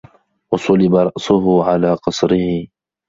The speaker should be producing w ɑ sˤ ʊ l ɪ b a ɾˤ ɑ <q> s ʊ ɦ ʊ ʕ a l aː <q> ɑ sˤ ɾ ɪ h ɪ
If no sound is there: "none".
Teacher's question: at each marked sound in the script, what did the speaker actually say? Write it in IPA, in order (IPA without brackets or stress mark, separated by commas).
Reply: ʔ, q